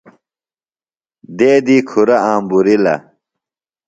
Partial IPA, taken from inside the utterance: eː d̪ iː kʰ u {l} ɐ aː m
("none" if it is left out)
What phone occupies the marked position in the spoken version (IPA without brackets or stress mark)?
ɾ